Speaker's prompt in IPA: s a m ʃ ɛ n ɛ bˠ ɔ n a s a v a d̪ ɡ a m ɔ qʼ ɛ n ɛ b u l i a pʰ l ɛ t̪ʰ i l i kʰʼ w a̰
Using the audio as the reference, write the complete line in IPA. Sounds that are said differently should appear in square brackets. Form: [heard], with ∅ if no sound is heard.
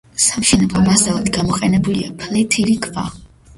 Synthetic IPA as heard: s a m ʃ ɛ n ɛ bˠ ɔ [m] a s a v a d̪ ɡ a m ɔ qʼ ɛ n ɛ b u l i a pʰ l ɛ t̪ʰ i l i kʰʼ [v] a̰